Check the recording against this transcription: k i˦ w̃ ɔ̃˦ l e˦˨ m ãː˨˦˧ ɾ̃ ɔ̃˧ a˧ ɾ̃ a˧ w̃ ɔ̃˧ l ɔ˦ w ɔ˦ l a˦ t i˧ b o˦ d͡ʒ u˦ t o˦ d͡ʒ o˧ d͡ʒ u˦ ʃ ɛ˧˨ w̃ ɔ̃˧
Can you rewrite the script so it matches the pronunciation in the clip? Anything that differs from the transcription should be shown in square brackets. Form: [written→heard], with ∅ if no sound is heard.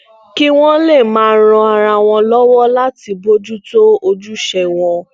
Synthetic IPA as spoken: k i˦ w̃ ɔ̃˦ l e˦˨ m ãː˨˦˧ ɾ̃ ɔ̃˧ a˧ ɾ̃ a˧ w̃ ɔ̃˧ l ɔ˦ w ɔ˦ l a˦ t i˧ b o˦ d͡ʒ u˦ t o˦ [d͡ʒ→∅] o˧ d͡ʒ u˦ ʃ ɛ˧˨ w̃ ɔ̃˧